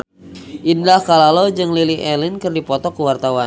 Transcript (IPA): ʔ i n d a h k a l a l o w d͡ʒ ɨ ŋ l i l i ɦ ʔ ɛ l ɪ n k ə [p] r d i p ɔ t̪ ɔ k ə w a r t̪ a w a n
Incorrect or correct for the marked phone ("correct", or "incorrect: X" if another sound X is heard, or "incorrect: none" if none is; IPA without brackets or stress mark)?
incorrect: none